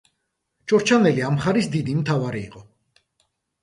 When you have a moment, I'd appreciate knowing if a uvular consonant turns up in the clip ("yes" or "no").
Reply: yes